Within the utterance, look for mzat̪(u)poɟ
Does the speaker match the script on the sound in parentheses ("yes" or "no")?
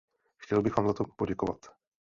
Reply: no